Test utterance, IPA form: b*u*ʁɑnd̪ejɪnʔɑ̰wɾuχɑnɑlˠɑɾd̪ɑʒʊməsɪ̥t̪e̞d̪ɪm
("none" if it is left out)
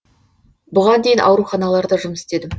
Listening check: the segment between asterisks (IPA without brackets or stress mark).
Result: ʊ